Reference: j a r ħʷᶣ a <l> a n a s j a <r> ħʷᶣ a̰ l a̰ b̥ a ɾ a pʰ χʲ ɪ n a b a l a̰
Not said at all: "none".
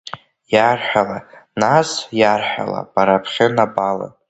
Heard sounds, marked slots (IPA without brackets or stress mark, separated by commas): l, r